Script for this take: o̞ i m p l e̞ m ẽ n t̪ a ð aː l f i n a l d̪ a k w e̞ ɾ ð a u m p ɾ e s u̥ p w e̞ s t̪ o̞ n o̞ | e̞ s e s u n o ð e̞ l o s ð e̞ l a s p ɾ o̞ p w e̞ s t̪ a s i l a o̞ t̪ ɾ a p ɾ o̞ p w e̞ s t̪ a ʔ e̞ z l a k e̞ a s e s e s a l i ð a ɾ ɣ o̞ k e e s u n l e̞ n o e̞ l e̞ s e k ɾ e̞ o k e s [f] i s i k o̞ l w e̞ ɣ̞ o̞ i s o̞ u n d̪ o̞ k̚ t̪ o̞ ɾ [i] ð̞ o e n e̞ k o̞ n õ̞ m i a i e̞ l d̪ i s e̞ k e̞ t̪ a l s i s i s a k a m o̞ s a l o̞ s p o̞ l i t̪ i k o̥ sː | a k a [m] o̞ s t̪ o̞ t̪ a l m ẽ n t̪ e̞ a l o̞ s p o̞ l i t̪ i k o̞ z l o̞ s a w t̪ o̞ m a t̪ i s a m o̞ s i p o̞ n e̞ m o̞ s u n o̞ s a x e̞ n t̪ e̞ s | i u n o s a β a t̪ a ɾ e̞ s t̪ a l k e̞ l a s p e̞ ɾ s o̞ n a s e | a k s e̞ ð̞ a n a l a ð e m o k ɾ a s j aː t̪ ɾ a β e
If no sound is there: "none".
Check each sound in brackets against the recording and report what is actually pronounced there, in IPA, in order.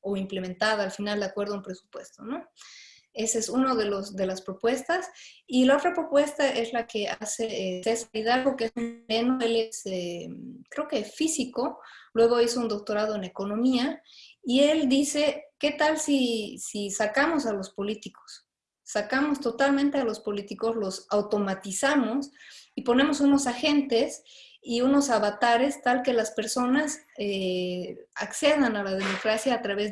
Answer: f, a, m

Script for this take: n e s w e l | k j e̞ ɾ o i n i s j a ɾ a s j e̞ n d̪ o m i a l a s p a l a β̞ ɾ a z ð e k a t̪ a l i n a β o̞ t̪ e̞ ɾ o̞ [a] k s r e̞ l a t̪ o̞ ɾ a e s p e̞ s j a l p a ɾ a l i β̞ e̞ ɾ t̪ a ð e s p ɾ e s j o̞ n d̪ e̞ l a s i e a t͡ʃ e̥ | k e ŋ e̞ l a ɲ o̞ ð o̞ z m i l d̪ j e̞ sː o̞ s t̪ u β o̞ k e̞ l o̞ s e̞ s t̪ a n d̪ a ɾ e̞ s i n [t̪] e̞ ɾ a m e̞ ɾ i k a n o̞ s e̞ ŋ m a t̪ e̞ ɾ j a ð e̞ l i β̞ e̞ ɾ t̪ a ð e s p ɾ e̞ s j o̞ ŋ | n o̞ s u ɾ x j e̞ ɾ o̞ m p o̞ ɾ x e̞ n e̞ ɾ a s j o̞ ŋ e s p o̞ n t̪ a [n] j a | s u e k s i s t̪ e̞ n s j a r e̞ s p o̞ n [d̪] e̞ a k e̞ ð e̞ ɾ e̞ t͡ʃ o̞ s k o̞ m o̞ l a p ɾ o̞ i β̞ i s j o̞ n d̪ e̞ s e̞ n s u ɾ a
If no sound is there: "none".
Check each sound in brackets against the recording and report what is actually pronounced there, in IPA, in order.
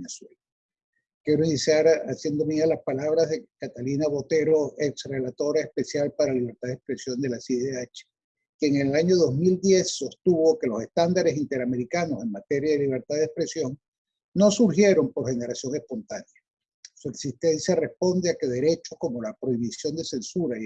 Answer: e, t̪, n, d̪

